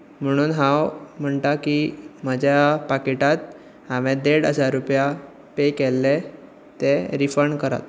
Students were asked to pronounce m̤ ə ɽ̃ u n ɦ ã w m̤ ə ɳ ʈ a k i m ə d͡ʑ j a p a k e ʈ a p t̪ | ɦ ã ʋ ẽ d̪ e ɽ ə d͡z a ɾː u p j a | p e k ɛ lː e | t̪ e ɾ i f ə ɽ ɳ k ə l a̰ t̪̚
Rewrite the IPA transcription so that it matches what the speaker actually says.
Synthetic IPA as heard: m̤ ə ɽ̃ uː n ɦ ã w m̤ ə ɳ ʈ a k i m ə d͡ʑ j a p a k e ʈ a t̪ | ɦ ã ʋ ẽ d̪ e ɽ ə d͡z a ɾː u p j a | p e k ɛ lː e | t̪ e ɾ i f ə ɾ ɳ k ə ɾ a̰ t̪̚